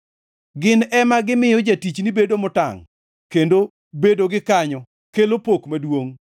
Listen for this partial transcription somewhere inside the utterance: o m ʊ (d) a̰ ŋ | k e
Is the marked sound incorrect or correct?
incorrect